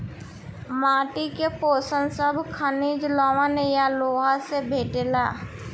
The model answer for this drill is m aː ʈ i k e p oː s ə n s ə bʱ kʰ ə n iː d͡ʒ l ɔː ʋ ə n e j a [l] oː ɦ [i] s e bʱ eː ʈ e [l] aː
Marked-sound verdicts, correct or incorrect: correct, incorrect: a, correct

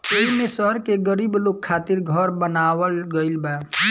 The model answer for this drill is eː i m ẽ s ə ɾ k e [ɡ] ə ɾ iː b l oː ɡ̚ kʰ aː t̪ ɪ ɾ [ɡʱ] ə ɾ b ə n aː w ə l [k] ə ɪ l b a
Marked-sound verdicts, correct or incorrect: correct, correct, incorrect: ɡ

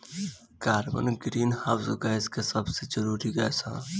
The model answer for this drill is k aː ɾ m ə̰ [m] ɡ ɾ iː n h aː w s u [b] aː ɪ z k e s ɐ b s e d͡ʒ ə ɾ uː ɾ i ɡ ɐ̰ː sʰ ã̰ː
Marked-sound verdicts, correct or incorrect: incorrect: n, incorrect: ɡ

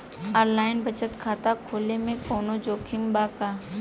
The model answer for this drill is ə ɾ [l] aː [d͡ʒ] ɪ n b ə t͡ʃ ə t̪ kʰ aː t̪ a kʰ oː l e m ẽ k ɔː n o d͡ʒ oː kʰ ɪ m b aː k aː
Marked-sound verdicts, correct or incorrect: correct, incorrect: none

